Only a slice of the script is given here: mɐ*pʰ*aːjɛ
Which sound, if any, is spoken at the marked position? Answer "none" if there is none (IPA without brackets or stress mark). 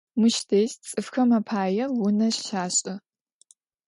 pʰ